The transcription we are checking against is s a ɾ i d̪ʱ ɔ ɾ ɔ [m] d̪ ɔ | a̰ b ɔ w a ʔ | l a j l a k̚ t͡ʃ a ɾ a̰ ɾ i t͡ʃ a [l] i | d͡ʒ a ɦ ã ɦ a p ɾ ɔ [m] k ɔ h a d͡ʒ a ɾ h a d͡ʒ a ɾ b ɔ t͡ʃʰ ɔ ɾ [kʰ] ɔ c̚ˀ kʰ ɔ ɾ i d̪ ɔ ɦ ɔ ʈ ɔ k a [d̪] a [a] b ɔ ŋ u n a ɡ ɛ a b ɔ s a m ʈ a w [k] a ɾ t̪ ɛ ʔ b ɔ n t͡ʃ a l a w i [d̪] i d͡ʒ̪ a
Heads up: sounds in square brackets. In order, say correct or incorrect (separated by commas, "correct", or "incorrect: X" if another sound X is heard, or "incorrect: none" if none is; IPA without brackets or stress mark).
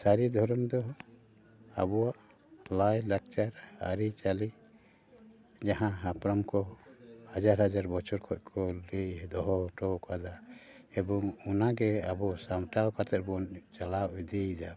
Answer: correct, correct, correct, correct, correct, incorrect: ɛ, correct, correct